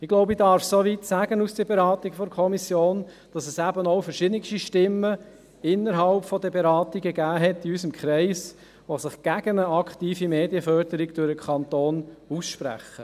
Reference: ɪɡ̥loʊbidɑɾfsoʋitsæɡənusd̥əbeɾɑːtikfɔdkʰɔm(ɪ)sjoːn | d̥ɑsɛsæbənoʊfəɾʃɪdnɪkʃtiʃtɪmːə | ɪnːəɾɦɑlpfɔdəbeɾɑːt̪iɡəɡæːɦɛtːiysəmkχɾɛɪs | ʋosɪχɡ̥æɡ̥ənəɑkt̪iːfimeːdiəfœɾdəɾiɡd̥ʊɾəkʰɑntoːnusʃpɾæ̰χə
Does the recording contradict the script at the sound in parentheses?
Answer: yes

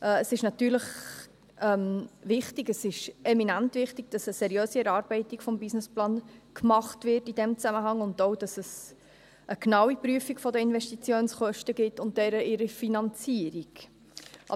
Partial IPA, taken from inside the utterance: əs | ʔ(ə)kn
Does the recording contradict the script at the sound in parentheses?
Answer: no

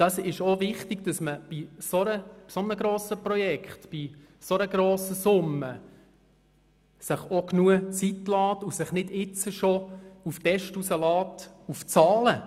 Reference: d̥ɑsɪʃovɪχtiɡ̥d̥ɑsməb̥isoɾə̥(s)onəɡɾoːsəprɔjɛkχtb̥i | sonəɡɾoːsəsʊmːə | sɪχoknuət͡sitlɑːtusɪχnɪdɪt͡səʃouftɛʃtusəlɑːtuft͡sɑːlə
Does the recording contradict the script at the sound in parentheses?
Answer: no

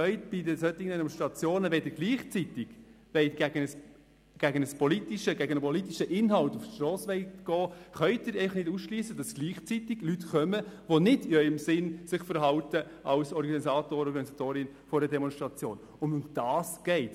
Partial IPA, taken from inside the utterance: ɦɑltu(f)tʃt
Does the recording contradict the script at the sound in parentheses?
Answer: no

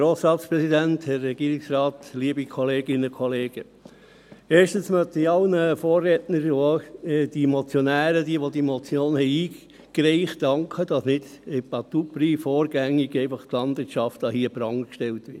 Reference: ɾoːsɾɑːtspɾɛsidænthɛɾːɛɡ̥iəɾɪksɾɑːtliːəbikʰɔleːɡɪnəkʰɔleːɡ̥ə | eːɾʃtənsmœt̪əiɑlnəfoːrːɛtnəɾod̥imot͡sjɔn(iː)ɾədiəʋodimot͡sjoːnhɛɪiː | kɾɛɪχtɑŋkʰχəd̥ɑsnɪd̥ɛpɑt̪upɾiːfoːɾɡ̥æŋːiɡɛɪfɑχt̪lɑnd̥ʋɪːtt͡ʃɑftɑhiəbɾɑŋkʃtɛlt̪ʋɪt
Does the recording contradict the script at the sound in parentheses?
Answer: yes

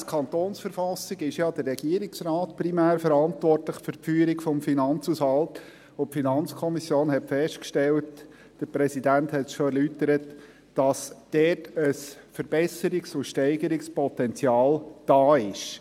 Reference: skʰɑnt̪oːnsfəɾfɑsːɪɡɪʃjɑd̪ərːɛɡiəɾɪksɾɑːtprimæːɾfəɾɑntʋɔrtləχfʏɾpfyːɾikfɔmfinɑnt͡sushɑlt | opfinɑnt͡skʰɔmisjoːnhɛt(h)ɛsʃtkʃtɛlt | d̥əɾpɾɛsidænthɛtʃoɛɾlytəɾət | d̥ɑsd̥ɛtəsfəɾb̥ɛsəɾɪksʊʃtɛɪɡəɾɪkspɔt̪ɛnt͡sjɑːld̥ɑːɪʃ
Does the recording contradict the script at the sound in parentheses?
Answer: yes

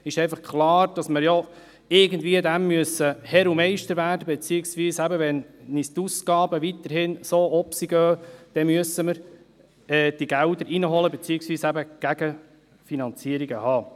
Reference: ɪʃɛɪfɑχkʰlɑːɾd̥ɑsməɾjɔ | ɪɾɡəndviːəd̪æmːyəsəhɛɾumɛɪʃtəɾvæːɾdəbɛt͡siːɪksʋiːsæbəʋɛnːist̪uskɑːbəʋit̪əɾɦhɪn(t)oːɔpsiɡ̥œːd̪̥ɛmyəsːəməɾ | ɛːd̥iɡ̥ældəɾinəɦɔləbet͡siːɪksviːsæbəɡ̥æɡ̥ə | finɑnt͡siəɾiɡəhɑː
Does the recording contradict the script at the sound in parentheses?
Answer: yes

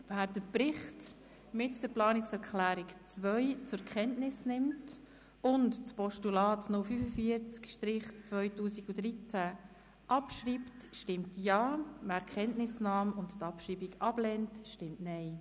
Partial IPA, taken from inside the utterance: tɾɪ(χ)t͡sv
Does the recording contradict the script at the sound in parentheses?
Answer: no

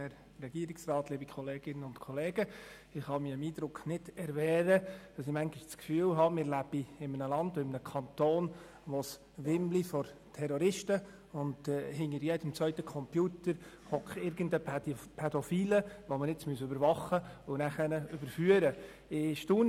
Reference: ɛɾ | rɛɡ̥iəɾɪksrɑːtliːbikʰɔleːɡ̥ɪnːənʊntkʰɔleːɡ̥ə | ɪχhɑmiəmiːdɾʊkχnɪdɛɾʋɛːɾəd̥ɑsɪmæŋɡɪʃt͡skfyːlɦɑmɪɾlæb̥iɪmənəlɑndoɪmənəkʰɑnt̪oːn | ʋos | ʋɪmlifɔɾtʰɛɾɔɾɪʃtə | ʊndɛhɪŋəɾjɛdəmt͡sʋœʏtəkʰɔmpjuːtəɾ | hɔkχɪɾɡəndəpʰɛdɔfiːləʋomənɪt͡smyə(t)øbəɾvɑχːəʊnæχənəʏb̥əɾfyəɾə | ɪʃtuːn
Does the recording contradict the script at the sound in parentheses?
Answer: yes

